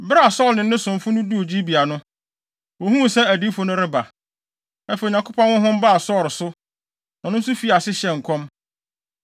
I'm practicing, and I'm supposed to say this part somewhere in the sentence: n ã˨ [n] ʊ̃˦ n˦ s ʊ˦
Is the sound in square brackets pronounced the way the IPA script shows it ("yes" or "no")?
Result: yes